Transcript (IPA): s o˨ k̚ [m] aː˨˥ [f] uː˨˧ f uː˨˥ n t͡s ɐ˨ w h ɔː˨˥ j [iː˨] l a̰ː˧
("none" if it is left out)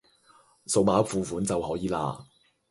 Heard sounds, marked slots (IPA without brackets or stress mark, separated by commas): m, f, iː˨